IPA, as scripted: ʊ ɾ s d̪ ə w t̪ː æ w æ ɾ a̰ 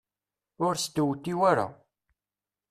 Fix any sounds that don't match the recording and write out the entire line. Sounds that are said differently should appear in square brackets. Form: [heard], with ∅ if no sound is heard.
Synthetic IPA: ʊ ɾ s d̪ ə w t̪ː [i] w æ ɾ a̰